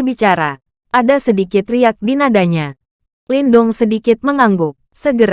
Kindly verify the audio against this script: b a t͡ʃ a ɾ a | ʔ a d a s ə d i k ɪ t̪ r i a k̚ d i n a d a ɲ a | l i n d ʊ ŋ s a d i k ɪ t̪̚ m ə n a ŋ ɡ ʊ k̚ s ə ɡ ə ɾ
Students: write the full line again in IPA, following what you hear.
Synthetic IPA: b i t͡ʃ a ɾ a | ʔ a d a s ə d i k ɪ t̪ r i a k̚ d i n a d a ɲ a | l i n d ʊ ŋ s ə d i k ɪ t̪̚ m ə ŋ a ŋ ɡ ʊ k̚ s ə ɡ ə ɾ